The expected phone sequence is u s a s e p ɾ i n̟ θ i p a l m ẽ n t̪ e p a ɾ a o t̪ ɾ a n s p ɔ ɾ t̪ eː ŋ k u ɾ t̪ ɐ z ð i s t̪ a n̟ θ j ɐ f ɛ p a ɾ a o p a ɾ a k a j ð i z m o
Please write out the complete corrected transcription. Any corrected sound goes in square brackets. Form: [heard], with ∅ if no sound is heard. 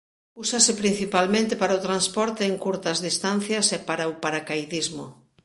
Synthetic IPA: u s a s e p ɾ i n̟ θ i p a l m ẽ n t̪ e p a ɾ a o t̪ ɾ a n s p ɔ ɾ t̪ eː ŋ k u ɾ t̪ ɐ z ð i s t̪ a n̟ θ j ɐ [s] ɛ p a ɾ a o p a ɾ a k a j ð i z m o

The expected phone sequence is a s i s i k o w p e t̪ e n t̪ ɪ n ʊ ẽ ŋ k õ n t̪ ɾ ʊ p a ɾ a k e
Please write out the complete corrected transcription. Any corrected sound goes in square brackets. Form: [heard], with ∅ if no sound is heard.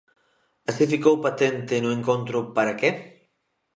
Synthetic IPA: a s i [f] i k o w p [a] t̪ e n t̪ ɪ n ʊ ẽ ŋ k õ n t̪ ɾ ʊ p a ɾ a k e

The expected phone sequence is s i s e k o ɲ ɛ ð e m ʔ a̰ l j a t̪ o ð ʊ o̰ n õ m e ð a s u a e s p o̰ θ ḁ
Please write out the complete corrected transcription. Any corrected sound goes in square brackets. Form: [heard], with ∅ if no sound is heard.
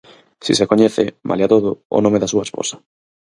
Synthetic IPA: s i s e k o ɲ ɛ [θ] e m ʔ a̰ l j a t̪ o ð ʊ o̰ n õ m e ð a s u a e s p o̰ [s] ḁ

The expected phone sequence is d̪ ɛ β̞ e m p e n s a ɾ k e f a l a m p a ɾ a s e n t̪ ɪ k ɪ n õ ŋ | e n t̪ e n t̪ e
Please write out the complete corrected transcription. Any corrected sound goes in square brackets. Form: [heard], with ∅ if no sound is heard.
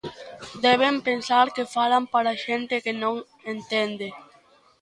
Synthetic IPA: d̪ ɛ β̞ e m p e n s a ɾ k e f a l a m p a ɾ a [ʃ] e n t̪ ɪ k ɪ n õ ŋ | e n t̪ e n [d̪] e

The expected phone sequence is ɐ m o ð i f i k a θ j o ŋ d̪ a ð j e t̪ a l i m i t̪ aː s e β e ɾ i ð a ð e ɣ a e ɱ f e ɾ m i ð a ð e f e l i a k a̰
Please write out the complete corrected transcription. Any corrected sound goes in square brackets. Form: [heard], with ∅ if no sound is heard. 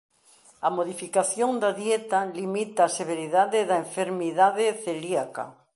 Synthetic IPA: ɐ m o ð i f i k a θ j o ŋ d̪ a ð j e t̪ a l i m i t̪ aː s e β e ɾ i ð a ð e [ð] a e ɱ f e ɾ m i ð a ð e [θ] e l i a k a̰

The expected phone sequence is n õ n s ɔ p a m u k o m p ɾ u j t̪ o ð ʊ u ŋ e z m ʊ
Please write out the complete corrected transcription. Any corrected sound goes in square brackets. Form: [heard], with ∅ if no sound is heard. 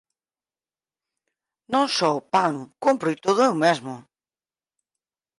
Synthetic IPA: n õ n s ɔ p a [n] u k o m p ɾ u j t̪ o ð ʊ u [m] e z m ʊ

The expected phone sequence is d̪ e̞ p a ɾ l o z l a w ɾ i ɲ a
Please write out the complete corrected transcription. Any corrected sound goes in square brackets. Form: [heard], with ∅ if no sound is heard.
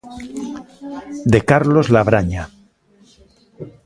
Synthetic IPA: d̪ e̞ [k] a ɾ l o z l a [β] ɾ [a] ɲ a

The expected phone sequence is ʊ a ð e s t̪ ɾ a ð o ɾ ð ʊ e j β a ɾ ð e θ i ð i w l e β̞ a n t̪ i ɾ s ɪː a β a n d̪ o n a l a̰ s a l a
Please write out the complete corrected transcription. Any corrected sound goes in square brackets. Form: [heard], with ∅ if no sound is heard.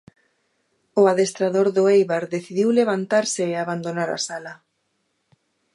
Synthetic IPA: ʊ a ð e s t̪ ɾ a ð o ɾ ð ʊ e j β a ɾ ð e θ i ð i w l e β̞ a n t̪ [a] ɾ s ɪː a β a n d̪ o n a [ɾ] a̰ s a l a

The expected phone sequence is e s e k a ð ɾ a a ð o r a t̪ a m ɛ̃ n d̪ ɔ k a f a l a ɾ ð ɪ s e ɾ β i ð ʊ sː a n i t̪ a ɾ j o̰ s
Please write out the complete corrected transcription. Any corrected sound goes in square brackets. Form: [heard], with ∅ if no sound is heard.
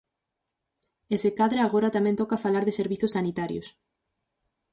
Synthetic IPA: e s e k a ð ɾ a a [ɣ] o [ɾ] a t̪ a m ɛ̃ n [t̪] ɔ k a f a l a ɾ ð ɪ s e ɾ β i [θ] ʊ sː a n i t̪ a ɾ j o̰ s

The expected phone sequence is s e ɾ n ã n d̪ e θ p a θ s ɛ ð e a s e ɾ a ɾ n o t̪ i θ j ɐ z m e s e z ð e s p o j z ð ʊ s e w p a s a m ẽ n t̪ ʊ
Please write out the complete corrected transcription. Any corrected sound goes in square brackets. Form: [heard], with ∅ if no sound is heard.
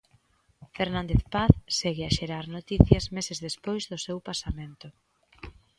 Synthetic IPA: [f] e ɾ n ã n d̪ e θ p a θ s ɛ [ɣ] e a [ʃ] e ɾ a ɾ n o t̪ i θ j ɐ z m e s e z ð e s p o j z ð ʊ s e w p a s a m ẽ n t̪ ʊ

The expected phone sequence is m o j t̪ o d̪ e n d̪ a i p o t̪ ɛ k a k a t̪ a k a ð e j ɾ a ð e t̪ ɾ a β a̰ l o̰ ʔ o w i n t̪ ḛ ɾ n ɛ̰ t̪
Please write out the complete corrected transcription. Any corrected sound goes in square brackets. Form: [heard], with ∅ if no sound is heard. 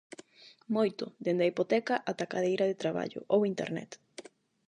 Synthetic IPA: m o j t̪ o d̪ e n d̪ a i p o t̪ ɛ k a [ʔ] a t̪ a k a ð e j ɾ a ð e t̪ ɾ a β a̰ [ʎ] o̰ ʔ o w i n t̪ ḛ ɾ n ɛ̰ t̪

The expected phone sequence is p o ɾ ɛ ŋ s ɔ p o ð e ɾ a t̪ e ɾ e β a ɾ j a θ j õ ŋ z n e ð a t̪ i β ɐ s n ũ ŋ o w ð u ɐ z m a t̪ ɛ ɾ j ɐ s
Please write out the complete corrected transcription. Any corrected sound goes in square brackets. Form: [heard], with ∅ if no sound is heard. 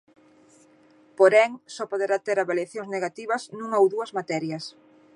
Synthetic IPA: p o ɾ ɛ ŋ s ɔ p o ð e ɾ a t̪ e ɾ [a] β a [l] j a θ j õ ŋ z n e [ɣ] a t̪ i β ɐ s n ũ ŋ o w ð u ɐ z m a t̪ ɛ ɾ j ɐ s

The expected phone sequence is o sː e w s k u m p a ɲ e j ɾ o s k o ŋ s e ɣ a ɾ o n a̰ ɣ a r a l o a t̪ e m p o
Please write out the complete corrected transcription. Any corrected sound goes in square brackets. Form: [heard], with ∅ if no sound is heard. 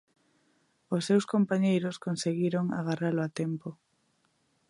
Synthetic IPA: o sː e w s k [o] m p a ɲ e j ɾ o s k o [n] s e ɣ [i] ɾ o [ŋ] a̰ ɣ a r a l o a t̪ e m p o

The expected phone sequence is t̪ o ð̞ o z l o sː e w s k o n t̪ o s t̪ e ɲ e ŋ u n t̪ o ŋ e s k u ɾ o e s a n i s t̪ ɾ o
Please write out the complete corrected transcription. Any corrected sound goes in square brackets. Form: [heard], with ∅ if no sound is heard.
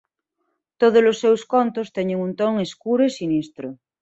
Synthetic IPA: t̪ o ð̞ o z l o sː e w s k o n t̪ o s t̪ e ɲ e ŋ u n t̪ o ŋ e s k u ɾ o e s [i] n i s t̪ ɾ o

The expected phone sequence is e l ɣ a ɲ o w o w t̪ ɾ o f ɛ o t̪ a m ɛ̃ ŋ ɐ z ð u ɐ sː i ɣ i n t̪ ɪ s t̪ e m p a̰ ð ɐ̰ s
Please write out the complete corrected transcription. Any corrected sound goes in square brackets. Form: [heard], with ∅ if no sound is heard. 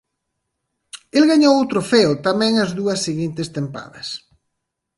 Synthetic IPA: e l ɣ a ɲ o w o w t̪ ɾ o f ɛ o t̪ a m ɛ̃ ŋ ɐ z ð u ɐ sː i ɣ i n t̪ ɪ s t̪ e m p a̰ ð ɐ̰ s

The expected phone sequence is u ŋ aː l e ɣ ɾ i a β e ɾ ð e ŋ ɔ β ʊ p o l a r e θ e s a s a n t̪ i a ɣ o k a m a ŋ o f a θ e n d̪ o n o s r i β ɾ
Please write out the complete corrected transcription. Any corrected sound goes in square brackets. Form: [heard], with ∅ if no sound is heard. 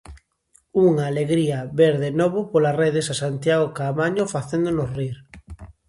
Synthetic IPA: u ŋ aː l e ɣ ɾ i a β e ɾ ð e [n] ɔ β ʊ p o l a r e [ð] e s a s a n t̪ [j] a ɣ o k a m a [ɲ] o f a θ e n d̪ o n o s r i [∅] ɾ

